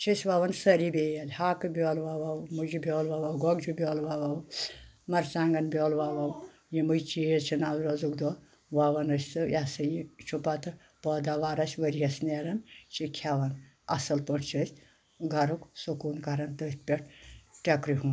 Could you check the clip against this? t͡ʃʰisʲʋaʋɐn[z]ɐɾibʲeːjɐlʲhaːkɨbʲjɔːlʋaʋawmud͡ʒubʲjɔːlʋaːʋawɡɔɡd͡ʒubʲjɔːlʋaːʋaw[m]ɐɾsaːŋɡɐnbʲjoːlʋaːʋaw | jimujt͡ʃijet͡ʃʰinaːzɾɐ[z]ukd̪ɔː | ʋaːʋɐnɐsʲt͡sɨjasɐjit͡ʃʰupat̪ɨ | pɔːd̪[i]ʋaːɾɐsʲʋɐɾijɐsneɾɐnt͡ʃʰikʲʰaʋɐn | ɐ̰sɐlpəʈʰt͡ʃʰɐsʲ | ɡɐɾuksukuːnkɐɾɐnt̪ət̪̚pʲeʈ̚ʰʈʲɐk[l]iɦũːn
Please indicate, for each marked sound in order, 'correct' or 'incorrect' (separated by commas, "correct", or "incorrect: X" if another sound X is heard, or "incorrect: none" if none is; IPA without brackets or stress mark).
incorrect: s, correct, correct, incorrect: a, incorrect: ɾ